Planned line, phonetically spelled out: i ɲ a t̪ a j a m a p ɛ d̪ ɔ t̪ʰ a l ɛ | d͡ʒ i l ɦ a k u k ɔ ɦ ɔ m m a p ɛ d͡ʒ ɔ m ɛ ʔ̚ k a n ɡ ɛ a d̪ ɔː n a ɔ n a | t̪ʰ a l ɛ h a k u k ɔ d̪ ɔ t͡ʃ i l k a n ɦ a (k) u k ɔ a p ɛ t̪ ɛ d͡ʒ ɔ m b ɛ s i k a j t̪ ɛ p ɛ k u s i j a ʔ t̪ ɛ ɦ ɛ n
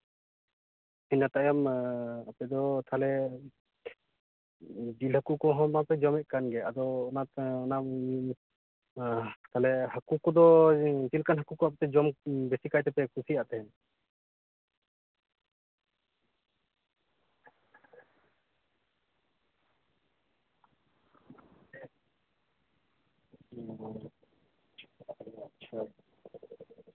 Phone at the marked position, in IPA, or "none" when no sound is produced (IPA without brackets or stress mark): k